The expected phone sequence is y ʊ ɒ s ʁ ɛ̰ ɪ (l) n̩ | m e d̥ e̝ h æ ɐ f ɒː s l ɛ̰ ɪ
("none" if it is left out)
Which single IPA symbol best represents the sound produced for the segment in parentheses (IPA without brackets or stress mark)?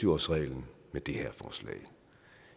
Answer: l